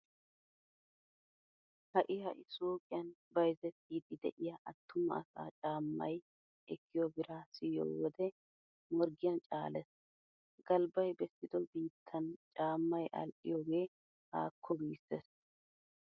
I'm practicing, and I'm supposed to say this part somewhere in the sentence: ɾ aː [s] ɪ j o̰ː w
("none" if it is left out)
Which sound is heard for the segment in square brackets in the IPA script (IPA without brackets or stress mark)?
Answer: s